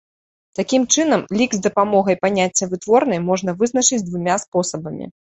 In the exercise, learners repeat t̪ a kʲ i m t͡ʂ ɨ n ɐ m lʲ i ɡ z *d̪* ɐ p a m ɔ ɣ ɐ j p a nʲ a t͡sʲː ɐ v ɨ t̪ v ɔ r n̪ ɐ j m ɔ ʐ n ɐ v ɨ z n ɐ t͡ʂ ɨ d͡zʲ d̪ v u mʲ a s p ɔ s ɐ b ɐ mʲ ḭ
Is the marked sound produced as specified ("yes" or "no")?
yes